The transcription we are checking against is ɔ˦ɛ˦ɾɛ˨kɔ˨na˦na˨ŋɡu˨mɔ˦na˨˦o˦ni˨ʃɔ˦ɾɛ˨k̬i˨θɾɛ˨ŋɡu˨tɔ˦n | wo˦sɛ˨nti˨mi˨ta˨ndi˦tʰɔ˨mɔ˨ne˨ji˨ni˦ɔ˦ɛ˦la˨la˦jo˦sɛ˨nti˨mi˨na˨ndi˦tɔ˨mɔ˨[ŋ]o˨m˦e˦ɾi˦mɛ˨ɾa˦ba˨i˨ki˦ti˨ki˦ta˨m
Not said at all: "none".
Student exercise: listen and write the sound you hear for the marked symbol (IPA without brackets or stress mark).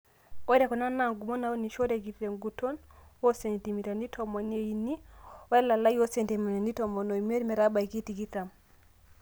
n